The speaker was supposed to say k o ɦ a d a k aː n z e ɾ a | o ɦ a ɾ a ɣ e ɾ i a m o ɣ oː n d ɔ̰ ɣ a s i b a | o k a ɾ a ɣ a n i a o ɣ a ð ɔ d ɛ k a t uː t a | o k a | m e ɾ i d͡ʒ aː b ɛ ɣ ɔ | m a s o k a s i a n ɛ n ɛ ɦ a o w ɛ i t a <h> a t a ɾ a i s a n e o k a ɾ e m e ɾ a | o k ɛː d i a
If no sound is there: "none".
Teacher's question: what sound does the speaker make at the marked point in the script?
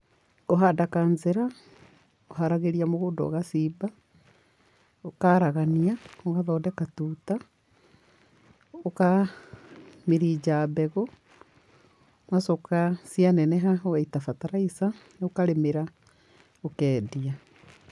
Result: f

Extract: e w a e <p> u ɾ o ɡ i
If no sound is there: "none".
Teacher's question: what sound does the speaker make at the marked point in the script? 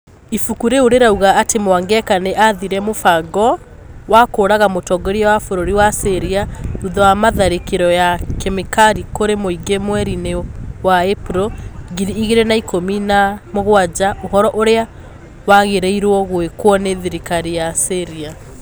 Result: p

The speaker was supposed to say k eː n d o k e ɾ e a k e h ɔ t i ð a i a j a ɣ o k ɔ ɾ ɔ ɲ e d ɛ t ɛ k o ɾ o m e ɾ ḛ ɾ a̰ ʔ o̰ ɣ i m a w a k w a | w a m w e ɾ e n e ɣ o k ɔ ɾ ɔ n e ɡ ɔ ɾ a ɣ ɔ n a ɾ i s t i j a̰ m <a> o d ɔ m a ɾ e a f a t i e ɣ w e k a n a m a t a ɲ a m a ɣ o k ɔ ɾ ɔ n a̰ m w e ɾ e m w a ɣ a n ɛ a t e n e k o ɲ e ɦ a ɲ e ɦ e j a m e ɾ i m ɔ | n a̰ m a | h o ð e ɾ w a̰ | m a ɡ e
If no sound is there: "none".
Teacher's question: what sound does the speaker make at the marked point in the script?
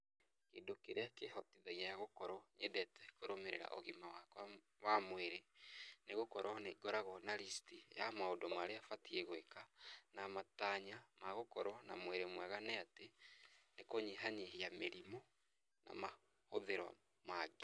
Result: a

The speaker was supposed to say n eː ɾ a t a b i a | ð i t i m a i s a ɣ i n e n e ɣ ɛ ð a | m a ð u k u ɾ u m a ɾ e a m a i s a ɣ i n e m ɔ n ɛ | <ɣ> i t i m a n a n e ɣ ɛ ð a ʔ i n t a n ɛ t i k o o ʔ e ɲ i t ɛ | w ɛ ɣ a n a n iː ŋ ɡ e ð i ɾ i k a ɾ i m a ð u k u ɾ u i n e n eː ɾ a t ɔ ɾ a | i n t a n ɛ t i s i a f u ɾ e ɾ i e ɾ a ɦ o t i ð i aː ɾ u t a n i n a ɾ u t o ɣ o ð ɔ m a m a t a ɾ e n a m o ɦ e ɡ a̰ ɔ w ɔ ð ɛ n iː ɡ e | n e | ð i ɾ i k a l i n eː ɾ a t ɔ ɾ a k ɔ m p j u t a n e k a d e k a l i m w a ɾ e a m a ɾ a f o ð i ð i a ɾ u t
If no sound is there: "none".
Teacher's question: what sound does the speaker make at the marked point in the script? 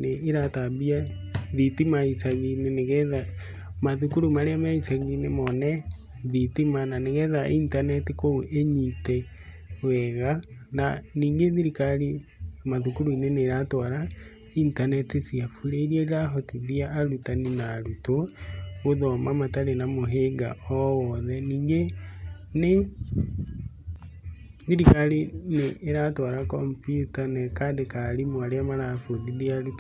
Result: ð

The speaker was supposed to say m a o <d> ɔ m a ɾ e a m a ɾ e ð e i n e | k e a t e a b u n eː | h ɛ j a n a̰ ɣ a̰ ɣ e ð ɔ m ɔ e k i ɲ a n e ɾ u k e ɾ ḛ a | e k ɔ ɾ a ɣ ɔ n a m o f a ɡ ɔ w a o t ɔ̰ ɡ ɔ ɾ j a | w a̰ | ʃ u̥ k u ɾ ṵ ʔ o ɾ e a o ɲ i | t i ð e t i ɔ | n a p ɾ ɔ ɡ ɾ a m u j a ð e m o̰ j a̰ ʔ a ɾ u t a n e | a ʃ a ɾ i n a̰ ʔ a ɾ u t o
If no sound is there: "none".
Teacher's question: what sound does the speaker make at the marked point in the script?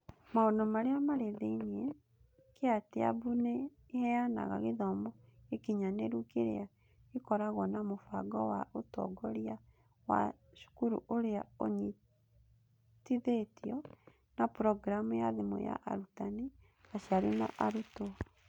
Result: n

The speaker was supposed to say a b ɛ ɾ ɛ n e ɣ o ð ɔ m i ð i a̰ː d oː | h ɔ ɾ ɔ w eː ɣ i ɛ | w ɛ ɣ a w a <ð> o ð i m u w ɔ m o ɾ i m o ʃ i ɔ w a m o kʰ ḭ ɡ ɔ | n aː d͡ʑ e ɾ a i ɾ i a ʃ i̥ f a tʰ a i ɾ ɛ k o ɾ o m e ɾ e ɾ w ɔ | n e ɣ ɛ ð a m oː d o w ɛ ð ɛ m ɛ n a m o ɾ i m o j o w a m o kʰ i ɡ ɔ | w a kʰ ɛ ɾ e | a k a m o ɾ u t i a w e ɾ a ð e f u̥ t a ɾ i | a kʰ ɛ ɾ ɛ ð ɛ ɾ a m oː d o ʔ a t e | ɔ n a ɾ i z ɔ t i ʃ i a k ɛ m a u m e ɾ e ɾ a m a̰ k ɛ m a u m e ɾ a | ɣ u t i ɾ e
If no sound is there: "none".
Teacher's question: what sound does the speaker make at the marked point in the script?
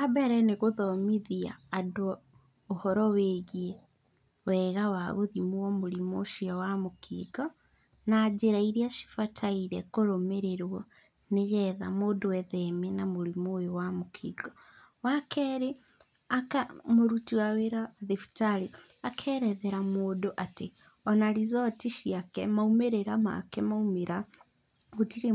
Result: ɣ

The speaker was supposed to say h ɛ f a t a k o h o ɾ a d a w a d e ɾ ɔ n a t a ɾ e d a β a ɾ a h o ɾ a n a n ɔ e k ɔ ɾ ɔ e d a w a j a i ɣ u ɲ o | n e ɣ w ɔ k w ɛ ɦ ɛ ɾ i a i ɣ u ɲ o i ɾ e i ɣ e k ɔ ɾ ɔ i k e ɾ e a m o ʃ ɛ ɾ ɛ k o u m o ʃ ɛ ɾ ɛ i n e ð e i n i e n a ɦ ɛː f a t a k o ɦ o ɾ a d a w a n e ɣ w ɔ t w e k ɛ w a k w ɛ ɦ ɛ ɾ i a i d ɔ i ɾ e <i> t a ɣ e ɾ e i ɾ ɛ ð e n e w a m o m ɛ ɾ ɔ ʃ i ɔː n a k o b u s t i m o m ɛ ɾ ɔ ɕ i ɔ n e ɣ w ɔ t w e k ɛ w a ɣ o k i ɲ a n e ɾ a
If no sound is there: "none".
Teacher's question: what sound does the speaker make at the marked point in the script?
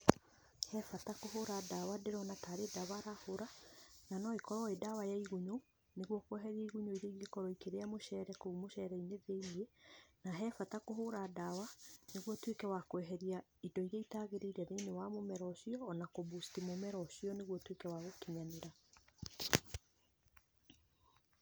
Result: i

